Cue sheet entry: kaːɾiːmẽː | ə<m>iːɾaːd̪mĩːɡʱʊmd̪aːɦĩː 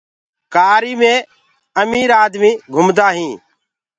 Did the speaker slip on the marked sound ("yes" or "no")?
no